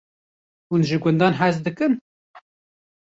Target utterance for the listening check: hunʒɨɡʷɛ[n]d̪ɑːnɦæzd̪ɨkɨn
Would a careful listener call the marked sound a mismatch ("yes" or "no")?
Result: no